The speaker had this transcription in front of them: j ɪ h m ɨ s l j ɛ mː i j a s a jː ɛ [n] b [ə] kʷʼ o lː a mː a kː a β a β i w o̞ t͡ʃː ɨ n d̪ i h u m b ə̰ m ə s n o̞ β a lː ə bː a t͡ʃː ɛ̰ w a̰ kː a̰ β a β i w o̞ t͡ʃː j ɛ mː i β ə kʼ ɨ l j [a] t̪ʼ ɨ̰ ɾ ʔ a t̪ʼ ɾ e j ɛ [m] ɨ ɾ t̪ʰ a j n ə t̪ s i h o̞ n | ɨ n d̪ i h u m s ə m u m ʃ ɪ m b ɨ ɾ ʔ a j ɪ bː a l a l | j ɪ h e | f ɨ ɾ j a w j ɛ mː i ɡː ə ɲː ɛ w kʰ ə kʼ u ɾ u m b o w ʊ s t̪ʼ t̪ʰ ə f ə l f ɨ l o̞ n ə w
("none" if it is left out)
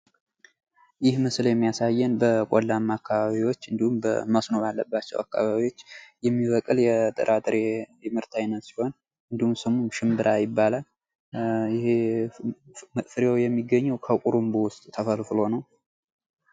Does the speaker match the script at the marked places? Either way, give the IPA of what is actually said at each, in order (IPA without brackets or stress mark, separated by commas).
n, ə, ɛ, m